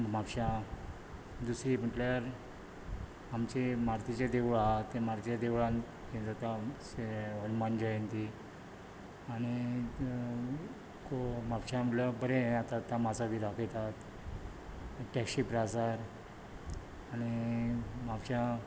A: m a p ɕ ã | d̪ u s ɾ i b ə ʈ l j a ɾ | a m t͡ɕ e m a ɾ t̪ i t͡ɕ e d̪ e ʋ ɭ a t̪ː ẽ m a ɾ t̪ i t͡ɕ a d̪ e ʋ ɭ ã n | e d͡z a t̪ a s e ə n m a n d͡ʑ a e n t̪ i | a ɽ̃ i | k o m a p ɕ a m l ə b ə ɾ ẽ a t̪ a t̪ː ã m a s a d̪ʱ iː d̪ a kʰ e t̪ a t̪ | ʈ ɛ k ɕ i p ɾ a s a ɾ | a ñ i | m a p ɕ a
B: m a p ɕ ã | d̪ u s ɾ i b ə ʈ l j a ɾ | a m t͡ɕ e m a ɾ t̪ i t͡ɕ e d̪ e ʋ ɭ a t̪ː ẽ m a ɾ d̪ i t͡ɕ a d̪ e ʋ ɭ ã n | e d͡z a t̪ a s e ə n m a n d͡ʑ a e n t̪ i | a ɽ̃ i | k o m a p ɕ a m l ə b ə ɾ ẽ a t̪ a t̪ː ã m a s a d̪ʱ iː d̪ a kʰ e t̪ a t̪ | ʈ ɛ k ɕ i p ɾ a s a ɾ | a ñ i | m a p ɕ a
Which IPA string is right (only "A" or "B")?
A